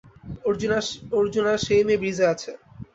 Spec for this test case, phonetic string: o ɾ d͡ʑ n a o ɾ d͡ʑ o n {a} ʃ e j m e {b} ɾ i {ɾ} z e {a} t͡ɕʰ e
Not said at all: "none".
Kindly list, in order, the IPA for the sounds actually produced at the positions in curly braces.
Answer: a, b, none, a

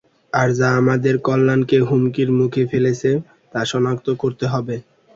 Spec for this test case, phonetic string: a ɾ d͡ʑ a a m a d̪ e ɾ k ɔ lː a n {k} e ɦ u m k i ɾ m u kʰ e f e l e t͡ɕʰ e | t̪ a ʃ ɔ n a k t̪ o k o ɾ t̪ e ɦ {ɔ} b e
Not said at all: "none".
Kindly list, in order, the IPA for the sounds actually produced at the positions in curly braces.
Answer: k, ɔ

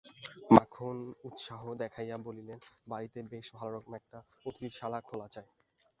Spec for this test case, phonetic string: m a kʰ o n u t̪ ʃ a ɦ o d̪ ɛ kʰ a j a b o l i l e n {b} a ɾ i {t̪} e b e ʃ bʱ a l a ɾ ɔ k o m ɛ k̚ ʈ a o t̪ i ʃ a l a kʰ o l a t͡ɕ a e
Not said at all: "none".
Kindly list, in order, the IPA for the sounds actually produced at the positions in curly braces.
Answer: b, t̪

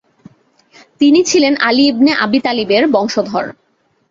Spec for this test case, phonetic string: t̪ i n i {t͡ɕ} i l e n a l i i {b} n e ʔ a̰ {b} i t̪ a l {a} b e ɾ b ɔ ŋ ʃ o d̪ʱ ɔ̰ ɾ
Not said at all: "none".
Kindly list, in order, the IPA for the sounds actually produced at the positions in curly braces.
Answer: t͡ɕʰ, b, b, i

